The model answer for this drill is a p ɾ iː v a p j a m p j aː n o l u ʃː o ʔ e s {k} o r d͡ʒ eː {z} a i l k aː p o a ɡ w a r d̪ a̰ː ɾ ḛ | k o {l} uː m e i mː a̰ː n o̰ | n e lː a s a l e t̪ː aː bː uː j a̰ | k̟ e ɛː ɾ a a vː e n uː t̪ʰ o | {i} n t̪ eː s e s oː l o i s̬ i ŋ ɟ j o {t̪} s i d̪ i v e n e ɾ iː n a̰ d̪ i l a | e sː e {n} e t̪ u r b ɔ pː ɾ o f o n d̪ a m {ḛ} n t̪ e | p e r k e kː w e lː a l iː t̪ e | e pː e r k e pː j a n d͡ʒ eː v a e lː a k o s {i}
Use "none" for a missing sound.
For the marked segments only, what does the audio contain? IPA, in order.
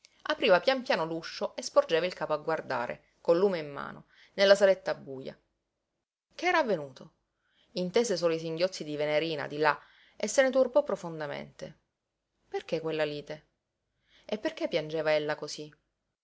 p, v, lː, i, t̪, n, ḛ, i

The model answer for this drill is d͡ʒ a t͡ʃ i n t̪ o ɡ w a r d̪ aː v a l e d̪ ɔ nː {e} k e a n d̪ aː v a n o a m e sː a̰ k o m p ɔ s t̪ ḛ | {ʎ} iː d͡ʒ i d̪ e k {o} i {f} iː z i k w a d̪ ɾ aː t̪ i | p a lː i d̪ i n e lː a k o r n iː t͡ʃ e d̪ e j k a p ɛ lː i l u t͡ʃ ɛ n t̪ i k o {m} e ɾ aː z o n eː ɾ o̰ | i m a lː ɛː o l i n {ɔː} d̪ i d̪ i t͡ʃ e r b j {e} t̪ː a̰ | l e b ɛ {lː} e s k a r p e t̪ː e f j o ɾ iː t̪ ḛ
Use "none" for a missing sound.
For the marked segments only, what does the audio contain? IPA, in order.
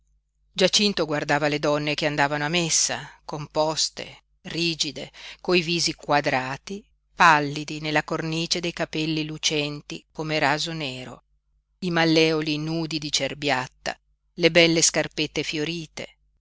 e, r, o, v, m, uː, a, lː

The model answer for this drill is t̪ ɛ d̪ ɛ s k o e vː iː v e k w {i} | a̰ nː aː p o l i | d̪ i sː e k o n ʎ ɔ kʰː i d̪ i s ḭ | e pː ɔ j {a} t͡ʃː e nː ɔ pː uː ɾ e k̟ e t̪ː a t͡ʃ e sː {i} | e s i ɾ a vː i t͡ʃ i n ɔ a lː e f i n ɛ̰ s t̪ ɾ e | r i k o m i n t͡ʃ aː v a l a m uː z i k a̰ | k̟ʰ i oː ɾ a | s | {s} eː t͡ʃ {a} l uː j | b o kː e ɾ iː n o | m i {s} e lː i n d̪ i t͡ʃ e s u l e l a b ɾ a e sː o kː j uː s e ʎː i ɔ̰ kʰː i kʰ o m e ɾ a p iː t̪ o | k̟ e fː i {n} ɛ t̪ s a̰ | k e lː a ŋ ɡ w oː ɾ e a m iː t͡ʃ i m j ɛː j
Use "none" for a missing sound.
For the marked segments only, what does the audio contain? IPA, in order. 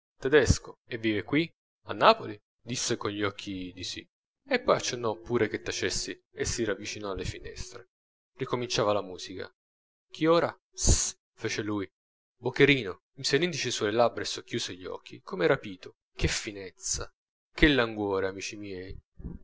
i, a, i, f, e, s, n

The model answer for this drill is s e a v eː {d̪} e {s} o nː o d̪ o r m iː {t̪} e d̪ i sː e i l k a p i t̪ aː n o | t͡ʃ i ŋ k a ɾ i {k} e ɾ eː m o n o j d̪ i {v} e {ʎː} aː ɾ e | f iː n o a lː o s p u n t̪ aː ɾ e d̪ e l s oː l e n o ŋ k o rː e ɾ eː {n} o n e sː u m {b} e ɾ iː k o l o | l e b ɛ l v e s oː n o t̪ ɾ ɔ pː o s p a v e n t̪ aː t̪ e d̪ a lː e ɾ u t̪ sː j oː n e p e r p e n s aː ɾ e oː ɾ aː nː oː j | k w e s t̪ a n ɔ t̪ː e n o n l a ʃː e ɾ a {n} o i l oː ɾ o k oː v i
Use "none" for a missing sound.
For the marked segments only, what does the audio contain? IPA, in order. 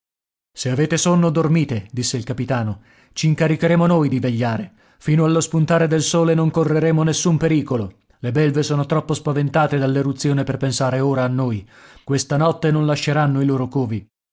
t̪, s, t̪, k, v, ʎː, m, p, nː

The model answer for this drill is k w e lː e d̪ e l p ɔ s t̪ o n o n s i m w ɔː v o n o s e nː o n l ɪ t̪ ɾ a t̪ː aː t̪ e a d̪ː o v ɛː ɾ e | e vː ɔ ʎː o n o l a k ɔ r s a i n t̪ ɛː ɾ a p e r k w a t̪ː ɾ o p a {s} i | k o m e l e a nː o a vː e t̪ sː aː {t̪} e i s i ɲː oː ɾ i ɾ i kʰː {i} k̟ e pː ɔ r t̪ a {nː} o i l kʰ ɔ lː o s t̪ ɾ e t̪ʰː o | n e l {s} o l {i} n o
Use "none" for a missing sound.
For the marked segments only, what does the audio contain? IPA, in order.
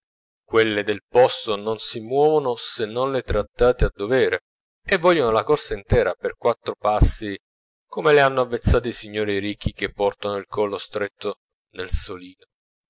sː, t̪, i, n, s, iː

